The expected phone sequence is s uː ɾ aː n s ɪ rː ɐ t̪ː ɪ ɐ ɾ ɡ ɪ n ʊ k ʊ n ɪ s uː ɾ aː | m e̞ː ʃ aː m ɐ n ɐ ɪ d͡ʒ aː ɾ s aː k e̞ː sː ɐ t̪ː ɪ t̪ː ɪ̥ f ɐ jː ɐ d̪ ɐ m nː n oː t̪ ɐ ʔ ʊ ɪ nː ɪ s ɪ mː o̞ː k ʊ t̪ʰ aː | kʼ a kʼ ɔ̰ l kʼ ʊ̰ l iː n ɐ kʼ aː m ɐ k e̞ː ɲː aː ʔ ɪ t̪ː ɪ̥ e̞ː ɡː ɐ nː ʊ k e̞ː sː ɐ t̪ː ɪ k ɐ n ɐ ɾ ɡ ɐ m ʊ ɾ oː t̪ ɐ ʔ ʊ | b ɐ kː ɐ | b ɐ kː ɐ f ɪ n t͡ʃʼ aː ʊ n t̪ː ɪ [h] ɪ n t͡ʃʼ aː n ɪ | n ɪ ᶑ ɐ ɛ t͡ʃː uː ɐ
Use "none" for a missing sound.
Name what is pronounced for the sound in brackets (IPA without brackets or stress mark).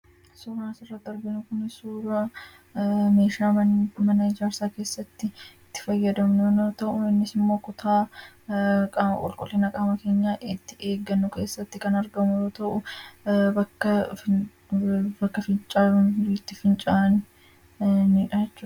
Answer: f